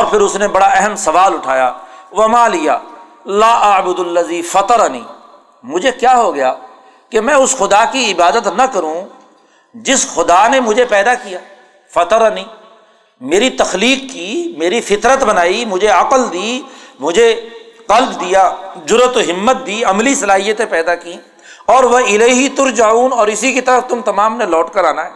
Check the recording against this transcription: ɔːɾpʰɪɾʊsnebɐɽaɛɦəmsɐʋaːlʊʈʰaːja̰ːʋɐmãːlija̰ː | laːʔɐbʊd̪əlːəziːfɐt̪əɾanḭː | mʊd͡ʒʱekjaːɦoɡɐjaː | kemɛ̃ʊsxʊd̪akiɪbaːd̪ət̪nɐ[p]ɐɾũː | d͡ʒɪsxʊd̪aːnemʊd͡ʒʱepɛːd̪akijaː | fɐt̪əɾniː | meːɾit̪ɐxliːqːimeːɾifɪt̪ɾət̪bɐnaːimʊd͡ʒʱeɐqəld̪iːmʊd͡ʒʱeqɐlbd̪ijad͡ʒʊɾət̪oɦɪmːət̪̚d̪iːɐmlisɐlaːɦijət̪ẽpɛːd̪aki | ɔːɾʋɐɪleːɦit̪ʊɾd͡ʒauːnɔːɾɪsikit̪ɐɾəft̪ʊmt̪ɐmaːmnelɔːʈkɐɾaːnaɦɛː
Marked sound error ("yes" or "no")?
yes